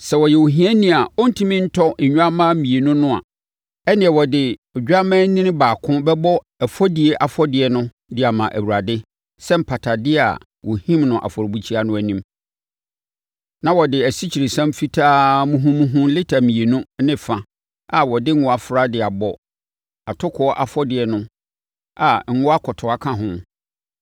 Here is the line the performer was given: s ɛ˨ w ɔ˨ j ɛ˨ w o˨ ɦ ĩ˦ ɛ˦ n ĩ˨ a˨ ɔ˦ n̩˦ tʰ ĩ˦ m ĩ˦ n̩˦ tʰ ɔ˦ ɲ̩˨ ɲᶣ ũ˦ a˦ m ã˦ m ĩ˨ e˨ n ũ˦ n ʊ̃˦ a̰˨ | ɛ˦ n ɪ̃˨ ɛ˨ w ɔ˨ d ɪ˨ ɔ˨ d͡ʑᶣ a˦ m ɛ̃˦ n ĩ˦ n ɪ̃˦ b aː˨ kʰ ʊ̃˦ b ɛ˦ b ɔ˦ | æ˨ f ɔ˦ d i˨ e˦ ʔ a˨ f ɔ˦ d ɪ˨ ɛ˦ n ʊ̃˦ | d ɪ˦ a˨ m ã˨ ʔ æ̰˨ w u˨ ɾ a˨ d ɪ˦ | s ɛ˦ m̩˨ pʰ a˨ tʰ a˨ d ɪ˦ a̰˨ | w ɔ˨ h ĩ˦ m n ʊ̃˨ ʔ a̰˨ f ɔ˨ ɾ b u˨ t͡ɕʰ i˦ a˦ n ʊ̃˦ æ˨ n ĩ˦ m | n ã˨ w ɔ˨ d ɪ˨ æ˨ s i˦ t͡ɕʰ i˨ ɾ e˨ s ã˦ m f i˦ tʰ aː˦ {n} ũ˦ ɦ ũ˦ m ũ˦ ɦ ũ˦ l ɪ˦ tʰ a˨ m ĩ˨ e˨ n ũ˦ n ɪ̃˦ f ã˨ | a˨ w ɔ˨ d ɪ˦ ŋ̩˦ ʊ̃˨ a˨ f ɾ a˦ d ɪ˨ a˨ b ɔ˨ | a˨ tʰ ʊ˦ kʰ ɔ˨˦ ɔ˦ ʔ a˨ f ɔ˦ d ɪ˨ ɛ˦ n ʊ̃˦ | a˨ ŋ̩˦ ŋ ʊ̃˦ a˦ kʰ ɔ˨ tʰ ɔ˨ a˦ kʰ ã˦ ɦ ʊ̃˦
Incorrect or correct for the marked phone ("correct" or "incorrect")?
incorrect